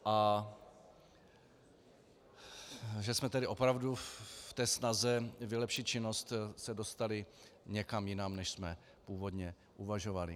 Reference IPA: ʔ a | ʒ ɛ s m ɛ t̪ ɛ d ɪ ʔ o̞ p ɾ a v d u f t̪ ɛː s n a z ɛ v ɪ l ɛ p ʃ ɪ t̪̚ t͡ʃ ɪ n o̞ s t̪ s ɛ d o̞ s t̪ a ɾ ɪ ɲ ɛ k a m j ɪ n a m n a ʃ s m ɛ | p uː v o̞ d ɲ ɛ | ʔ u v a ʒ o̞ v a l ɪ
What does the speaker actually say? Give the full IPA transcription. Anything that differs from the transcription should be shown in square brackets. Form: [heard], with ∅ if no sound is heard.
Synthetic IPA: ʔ a | ʒ ɛ s m ɛ t̪ ɛ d ɪ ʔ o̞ p ɾ a v d u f t̪ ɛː s n a z ɛ v ɪ l ɛ p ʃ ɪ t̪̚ t͡ʃ ɪ n o̞ s t̪ s ɛ d o̞ s t̪ a [l] ɪ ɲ ɛ k a m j ɪ n a m n [ɛ] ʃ s m ɛ | p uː v o̞ d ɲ ɛ | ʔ u v a ʒ o̞ v a l ɪ

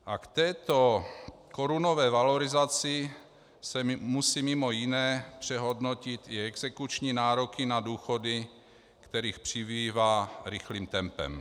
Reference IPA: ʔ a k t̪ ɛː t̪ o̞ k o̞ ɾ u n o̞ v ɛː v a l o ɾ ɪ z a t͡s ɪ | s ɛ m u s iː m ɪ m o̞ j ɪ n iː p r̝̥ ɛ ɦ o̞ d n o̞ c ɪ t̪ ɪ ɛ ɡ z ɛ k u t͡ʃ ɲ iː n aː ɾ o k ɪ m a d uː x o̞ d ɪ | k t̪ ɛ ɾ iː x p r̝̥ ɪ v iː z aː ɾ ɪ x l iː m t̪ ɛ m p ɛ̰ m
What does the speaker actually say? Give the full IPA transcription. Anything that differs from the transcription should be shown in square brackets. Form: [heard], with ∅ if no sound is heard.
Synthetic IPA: ʔ a k t̪ ɛː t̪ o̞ k o̞ ɾ u n o̞ v ɛː v a l o ɾ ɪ z a t͡s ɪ | s ɛ m u s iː m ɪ m o̞ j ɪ n [ɛː] p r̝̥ ɛ ɦ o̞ d n o̞ c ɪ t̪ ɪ ɛ ɡ z ɛ k u t͡ʃ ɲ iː n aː ɾ o k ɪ [n] a d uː x o̞ d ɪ | k t̪ ɛ ɾ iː x p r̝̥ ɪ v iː [v] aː ɾ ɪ x l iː m t̪ ɛ m p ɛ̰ m

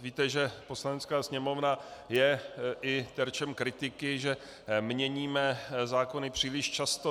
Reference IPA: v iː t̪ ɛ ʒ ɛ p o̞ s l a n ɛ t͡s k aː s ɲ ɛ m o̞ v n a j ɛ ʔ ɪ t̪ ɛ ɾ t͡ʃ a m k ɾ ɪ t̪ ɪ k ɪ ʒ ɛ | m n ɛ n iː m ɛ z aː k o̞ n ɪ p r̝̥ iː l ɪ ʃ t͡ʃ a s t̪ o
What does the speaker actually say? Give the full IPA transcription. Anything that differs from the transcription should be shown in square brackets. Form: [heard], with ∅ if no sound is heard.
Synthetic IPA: v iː t̪ ɛ ʒ ɛ p o̞ s l a n ɛ t͡s k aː s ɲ ɛ m o̞ v n a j ɛ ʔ ɪ t̪ ɛ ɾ t͡ʃ [ɛ] m k ɾ ɪ t̪ ɪ k ɪ ʒ ɛ | m [ɲ] ɛ [ɲ] iː m ɛ z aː k o̞ n ɪ p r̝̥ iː l ɪ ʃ t͡ʃ a s t̪ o

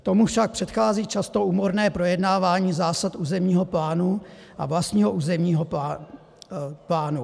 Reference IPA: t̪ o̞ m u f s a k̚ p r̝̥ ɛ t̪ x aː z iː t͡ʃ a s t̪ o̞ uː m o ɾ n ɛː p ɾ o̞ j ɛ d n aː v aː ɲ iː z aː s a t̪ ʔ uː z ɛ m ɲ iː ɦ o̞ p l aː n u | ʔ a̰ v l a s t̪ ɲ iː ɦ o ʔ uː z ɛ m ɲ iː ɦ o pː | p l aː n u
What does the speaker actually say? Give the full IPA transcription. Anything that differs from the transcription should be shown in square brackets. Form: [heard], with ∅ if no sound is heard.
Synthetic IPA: t̪ o̞ m u f [ʃ] a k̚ p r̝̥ ɛ t̪ x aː z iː t͡ʃ a s t̪ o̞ uː m o ɾ n ɛː p ɾ o̞ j ɛ d n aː v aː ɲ iː z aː s a t̪ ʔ uː z ɛ m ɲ iː ɦ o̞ p l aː n u | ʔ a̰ v l a s t̪ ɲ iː ɦ o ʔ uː z ɛ m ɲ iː ɦ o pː | p l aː n u

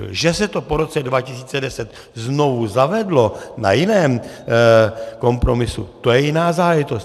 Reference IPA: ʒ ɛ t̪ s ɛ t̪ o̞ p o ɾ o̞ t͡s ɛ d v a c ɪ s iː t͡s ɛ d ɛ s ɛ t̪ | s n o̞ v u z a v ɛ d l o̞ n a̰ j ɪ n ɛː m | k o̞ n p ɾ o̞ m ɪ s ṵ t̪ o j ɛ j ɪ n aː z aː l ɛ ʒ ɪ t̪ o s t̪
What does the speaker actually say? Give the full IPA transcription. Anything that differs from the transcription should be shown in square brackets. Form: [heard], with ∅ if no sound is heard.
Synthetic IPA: ʒ ɛ [∅] s ɛ t̪ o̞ p o ɾ o̞ t͡s ɛ d v a c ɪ s iː t͡s ɛ d ɛ s ɛ t̪ | [z] n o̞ v u z a v ɛ d l o̞ n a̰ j ɪ n ɛː m | k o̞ [m] p ɾ o̞ m ɪ s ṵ t̪ o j ɛ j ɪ n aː z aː l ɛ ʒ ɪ t̪ o s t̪

